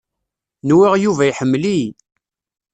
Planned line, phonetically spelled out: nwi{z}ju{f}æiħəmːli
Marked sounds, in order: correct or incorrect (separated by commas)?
incorrect, incorrect